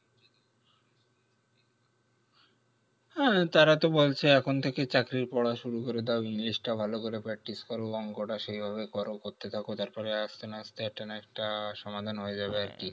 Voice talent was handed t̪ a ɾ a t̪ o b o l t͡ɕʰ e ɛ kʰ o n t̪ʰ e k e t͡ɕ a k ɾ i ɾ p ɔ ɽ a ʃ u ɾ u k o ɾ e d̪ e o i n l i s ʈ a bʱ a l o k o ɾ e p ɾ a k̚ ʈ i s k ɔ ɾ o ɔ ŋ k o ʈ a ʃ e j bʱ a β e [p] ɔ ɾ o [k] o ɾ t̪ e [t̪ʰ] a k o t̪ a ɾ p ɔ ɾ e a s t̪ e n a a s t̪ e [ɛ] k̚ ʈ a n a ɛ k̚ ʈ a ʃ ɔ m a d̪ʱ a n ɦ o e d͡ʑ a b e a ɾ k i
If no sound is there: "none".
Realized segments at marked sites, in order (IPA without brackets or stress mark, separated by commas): k, k, t̪ʰ, ɛ